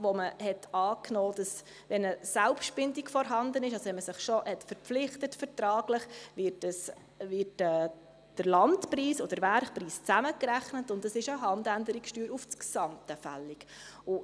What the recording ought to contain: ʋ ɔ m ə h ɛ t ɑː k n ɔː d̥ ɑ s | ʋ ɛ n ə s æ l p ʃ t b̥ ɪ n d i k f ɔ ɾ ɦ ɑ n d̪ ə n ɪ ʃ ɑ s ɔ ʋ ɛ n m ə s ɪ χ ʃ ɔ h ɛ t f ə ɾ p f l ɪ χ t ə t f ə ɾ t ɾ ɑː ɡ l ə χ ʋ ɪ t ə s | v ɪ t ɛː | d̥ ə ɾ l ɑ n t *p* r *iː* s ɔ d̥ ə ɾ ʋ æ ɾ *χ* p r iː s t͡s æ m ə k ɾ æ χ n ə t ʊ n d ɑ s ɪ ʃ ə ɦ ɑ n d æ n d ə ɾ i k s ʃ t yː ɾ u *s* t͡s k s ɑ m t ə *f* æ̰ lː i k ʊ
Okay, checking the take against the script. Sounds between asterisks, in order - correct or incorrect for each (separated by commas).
correct, correct, correct, incorrect, correct